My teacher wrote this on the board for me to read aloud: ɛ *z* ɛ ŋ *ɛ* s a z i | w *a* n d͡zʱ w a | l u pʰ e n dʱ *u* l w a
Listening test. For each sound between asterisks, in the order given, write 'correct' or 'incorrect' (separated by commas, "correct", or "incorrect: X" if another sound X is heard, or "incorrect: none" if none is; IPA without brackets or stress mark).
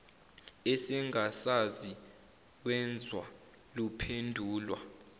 incorrect: s, incorrect: a, incorrect: ɛ, incorrect: uː